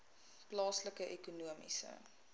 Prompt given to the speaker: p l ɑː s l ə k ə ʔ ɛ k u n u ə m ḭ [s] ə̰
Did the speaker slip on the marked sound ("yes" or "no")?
no